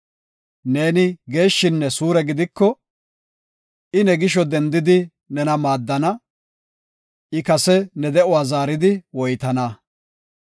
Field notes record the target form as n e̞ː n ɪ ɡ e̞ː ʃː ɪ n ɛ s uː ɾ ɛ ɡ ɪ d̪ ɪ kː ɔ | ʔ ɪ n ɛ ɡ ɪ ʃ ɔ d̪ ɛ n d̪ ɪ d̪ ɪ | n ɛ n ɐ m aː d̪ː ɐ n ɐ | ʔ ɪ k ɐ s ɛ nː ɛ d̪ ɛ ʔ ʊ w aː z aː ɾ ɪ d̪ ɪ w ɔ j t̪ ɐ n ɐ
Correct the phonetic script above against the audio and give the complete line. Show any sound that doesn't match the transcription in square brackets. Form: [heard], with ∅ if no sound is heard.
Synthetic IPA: n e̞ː n ɪ ɡ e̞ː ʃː ɪ [nː] ɛ s uː ɾ ɛ ɡ ɪ d̪ ɪ kː ɔ | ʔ ɪ n ɛ ɡ ɪ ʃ ɔ d̪ ɛ n d̪ ɪ d̪ ɪ | n ɛ n ɐ m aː d̪ː ɐ n ɐ | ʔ ɪ k ɐ s ɛ [n] ɛ d̪ ɛ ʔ ʊ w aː z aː ɾ ɪ d̪ ɪ w ɔ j t̪ ɐ n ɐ